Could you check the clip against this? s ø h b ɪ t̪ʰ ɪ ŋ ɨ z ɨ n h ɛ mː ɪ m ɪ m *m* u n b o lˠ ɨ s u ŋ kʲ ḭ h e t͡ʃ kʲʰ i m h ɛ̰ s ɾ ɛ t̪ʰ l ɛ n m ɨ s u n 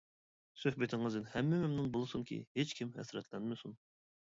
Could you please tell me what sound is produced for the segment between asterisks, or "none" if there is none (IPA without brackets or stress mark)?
n